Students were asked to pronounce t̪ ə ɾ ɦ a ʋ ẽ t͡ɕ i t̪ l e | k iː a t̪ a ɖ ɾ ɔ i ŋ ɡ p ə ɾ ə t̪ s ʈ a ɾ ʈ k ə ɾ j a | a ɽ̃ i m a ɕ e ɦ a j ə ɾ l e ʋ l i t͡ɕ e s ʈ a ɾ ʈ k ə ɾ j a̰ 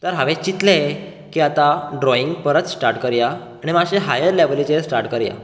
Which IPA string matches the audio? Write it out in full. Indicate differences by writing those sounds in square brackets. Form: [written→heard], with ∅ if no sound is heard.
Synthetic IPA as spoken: t̪ ə ɾ ɦ a ʋ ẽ t͡ɕ i t̪ l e | k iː a t̪ a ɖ ɾ ɔ i ŋ ɡ p ə ɾ ə t̪ s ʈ a ɾ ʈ k ə ɾ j a | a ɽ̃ i m a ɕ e ɦ a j ə ɾ l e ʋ l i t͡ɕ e s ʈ a ɾ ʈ k ə ɾ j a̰